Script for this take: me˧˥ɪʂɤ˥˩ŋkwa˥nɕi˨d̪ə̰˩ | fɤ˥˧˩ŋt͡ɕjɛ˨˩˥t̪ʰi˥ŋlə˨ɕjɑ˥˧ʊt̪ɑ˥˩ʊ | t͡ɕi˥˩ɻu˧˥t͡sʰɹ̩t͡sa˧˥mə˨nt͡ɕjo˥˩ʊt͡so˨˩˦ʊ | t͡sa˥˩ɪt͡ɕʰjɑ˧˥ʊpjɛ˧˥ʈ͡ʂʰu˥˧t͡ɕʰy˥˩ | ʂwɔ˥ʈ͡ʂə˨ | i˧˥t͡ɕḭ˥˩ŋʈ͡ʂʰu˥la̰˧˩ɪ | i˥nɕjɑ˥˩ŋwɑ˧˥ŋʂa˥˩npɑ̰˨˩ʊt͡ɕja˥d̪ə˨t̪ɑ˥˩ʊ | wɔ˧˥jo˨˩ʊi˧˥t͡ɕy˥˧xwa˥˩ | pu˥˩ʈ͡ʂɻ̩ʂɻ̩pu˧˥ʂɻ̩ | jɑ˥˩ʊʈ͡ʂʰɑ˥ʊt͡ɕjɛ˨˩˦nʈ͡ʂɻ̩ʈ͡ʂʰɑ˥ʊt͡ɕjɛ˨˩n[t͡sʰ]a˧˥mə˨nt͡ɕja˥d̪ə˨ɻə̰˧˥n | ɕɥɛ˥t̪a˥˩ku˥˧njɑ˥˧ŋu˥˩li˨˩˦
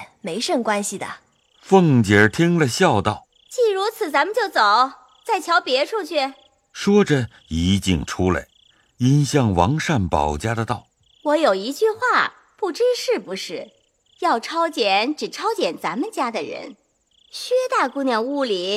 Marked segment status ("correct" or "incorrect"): incorrect